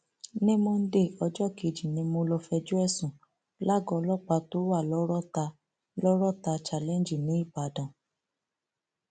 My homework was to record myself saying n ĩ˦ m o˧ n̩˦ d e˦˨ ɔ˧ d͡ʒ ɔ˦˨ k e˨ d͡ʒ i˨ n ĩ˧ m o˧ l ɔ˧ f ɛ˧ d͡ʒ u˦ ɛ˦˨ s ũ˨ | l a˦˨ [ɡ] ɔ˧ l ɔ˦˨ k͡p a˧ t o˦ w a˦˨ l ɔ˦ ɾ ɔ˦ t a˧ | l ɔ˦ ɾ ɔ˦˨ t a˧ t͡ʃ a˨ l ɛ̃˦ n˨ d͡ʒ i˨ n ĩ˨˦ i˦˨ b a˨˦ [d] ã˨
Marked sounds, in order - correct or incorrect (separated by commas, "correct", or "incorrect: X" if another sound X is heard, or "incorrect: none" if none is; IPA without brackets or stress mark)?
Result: correct, correct